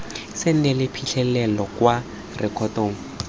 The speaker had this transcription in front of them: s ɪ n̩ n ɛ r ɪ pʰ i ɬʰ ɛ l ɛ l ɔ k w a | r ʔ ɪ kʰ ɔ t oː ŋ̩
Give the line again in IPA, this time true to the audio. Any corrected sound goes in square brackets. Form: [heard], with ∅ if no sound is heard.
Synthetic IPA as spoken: s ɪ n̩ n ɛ [l] ɪ pʰ i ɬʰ ɛ l ɛ l ɔ k w a | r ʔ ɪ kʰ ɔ t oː ŋ̩